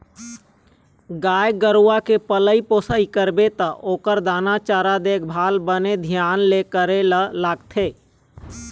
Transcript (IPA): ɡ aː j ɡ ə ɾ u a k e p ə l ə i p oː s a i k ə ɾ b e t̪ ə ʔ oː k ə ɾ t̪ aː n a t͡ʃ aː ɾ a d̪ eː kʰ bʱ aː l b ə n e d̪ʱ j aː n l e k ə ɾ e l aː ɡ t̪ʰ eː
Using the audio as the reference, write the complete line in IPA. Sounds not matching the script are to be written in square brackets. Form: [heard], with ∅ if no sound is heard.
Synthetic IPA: ɡ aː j ɡ ə ɾ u a k e p ə l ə i p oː s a i k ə ɾ b e t̪ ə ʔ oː k ə ɾ [d̪] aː n a t͡ʃ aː ɾ a d̪ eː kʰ bʱ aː l b ə n e d̪ʱ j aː n l e k ə ɾ e l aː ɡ t̪ʰ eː